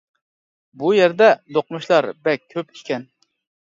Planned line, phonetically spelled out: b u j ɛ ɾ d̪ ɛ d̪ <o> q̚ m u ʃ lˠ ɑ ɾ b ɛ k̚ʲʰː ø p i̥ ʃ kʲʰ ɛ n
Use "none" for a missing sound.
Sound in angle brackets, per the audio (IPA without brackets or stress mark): o